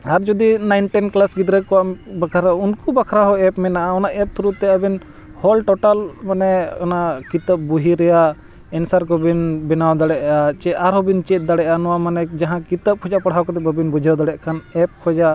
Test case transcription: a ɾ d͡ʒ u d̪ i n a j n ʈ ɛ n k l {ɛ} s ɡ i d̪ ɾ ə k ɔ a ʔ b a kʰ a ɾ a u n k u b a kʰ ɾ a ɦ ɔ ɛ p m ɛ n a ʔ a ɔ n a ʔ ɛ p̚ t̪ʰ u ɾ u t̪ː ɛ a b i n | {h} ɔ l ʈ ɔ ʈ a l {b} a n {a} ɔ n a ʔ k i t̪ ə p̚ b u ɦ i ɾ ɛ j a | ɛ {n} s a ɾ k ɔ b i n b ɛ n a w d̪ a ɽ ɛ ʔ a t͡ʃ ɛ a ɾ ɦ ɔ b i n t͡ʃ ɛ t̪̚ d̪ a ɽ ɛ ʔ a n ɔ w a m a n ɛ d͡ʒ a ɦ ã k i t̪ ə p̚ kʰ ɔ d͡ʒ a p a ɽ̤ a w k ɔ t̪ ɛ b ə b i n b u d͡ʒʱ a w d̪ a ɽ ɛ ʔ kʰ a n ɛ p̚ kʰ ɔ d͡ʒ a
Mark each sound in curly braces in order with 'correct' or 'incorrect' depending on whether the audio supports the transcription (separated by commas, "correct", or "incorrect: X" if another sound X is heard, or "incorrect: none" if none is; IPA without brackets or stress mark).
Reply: incorrect: a, correct, incorrect: m, incorrect: ɛ, correct